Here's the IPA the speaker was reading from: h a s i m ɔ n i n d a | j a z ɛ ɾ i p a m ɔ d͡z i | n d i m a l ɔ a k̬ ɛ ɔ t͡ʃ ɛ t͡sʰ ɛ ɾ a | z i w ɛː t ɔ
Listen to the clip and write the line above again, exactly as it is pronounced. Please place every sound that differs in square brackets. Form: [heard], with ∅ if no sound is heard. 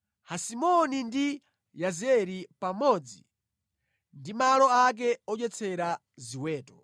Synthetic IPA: h a s i m ɔ n i n d [i] | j a z ɛ ɾ i p a m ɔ d͡z i | n d i m a l ɔ a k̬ ɛ ɔ t͡ʃ ɛ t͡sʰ ɛ ɾ a | z i w ɛː t ɔ

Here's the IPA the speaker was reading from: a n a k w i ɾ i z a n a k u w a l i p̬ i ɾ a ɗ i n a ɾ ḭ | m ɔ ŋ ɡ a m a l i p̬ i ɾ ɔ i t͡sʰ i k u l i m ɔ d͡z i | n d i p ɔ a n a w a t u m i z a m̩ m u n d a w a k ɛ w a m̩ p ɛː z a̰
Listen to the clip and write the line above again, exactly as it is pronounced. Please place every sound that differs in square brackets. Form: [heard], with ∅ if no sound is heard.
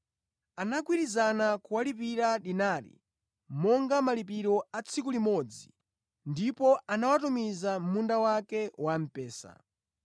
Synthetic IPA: a n a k w i ɾ i z a n a k u w a l i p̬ i ɾ a ɗ i n a ɾ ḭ | m ɔ ŋ ɡ a m a l i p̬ i ɾ ɔ [a] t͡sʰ i k u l i m ɔ d͡z i | n d i p ɔ a n a w a t u m i z a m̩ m u n d a w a k ɛ w a m̩ p ɛː [s] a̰

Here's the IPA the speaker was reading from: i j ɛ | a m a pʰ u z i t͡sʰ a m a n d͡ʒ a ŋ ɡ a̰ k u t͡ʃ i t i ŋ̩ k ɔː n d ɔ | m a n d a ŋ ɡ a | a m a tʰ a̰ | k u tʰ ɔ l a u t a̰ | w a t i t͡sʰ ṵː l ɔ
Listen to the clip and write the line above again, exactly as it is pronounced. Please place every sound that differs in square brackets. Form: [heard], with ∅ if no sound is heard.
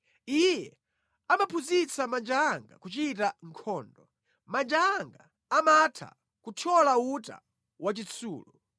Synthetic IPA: i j ɛ | a m a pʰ u z i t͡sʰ a m a n d͡ʒ a ŋ ɡ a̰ k u t͡ʃ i t [a] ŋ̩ [kʰ] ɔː n d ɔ | m a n [d͡ʒ] a ŋ ɡ a | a m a tʰ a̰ | k u tʰ ɔ l a u t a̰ | w a [t͡ʃ] i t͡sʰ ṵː l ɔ

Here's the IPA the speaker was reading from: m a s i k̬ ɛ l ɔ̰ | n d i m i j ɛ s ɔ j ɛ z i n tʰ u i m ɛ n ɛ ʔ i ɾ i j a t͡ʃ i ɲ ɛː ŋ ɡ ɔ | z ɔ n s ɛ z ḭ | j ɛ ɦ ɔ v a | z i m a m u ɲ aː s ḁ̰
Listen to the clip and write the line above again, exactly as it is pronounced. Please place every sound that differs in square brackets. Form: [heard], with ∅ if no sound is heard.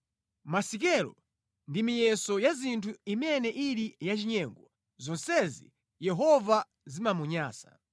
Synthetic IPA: m a s i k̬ ɛ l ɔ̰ | n d i m i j ɛ s ɔ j [a] z i n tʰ u i m ɛ n ɛ ʔ i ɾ i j a t͡ʃ i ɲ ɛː ŋ ɡ ɔ | z ɔ n s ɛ z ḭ | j ɛ ɦ ɔ v a | z i m a m u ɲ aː s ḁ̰

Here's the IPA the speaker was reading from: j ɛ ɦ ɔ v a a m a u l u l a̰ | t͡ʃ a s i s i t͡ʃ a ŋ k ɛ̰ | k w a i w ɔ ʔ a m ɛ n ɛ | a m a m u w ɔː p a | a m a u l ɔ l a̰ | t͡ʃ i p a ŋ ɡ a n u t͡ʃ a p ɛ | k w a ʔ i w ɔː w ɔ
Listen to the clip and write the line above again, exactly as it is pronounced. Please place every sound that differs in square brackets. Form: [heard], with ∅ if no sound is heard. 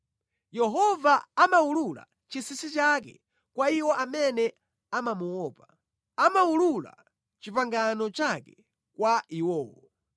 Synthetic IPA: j ɛ ɦ ɔ v a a m a u l u l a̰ | t͡ʃ [i] s i s i t͡ʃ a [∅] k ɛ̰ | k w a i w ɔ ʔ a m ɛ n ɛ | a m a m u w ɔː p a | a m a u l [u] l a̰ | t͡ʃ i p a ŋ ɡ a n [ɔ] t͡ʃ a [k] ɛ | k w a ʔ i w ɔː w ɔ

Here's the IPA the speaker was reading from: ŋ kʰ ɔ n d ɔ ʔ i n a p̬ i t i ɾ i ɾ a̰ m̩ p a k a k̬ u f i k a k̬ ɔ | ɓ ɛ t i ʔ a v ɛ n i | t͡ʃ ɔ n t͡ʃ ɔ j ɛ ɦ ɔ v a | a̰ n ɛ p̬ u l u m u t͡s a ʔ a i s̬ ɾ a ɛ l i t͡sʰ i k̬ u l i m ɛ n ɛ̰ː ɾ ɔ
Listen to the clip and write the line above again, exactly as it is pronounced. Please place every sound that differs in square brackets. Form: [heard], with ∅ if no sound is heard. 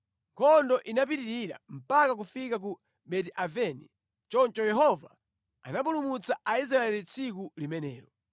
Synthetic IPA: ŋ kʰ ɔ n d ɔ ʔ i n a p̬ i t i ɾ i ɾ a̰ m̩ p a k a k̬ u f i k a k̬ [u] | ɓ ɛ t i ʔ a v ɛ n i | t͡ʃ ɔ n t͡ʃ ɔ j ɛ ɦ ɔ v a | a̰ n [a] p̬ u l u m u t͡s a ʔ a i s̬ ɾ a ɛ l i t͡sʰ i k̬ u l i m ɛ n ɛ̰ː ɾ ɔ

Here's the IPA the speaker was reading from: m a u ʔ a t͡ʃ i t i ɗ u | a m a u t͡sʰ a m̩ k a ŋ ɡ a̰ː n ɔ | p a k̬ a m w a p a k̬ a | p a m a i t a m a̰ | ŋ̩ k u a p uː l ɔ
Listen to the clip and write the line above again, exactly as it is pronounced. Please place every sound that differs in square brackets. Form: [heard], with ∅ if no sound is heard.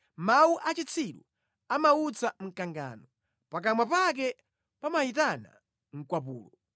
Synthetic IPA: m a u ʔ a t͡ʃ i [t͡sʰ] i ɗ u | a m a u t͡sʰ a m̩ k a ŋ ɡ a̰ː n ɔ | p a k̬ a m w a p a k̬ [ɛ] | p a m a i t a [n] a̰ | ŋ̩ k [w] a p uː l ɔ

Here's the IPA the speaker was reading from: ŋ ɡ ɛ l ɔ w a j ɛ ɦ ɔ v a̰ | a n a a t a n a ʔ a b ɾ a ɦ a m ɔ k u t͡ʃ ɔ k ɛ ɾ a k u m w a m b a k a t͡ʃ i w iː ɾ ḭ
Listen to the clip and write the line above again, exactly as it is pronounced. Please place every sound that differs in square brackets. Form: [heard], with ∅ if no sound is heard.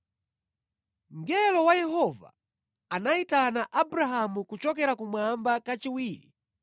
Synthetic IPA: ŋ ɡ ɛ l ɔ w a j ɛ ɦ ɔ v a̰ | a n a [i] t a n a ʔ a b ɾ a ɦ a m [u] k u t͡ʃ ɔ k ɛ ɾ a k u m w a m b a k a t͡ʃ i w iː ɾ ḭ

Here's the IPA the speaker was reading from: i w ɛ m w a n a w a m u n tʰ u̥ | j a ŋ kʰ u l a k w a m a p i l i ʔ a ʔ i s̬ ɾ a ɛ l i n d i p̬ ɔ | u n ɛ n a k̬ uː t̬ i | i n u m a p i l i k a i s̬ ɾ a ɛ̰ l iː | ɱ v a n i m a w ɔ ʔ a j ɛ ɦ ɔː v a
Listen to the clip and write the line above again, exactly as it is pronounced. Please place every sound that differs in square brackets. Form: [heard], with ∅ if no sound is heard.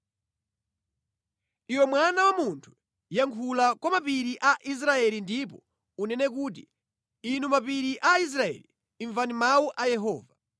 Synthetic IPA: i w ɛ m w a n a w a m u n tʰ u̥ | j a ŋ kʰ u l a k w a m a p i [ɾ] i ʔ a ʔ i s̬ ɾ a ɛ l i n d i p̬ ɔ | u n ɛ n [ɛ] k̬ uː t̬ i | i n u m a p i [ɾ] i [ʔ] a i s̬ ɾ a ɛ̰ l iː | ɱ v a n i m a w [u] ʔ a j ɛ ɦ ɔː v a

